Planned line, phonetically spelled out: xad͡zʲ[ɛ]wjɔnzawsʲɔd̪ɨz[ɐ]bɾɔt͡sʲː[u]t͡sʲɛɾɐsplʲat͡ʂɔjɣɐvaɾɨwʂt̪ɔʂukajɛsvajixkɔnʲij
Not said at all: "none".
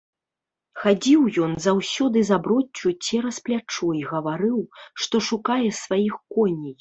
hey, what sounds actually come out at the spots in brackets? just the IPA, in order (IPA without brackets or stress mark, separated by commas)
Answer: i, a, u